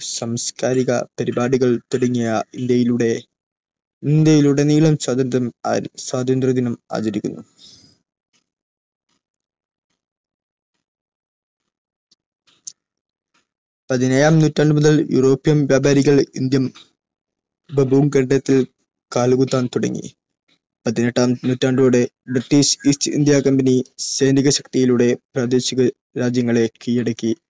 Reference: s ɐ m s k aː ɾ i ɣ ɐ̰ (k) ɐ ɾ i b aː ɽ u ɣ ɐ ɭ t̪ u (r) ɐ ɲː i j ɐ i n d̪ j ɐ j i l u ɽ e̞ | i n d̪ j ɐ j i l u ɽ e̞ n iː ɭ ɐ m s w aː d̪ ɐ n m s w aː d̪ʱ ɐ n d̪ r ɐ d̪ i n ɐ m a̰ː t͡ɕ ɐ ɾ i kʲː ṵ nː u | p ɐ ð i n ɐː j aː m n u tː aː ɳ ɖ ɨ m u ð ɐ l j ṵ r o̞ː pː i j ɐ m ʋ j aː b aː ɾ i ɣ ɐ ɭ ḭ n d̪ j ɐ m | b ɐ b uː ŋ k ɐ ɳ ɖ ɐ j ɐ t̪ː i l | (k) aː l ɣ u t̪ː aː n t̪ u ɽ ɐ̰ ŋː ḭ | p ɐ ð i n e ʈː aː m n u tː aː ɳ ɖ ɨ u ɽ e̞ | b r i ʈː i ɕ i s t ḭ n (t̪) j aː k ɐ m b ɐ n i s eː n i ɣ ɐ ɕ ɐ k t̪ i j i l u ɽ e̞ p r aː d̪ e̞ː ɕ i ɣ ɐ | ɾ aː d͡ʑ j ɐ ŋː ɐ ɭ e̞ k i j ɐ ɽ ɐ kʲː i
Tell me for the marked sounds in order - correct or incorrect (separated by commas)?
incorrect, incorrect, correct, incorrect